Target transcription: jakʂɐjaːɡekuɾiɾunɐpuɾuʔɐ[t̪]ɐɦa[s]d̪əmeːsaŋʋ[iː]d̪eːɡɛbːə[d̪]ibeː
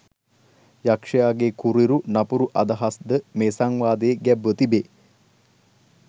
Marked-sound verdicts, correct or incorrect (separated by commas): incorrect, correct, incorrect, incorrect